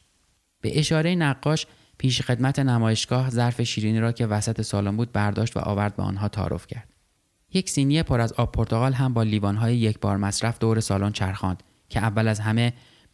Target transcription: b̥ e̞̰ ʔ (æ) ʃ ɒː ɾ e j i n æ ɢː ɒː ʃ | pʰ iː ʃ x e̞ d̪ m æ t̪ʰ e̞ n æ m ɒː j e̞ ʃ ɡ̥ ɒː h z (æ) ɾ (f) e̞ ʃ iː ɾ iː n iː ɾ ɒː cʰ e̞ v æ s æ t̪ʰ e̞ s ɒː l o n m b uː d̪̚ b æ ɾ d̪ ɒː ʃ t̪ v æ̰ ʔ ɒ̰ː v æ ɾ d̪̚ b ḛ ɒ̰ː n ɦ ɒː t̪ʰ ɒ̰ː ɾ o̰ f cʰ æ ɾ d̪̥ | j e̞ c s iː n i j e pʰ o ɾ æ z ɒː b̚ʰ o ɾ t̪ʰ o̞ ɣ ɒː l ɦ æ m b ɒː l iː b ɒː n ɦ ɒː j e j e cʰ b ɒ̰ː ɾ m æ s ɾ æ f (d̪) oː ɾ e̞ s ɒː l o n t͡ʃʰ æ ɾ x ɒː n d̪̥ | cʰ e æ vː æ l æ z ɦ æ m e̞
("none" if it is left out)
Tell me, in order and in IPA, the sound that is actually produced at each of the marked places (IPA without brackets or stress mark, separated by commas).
e, æ, f, d̪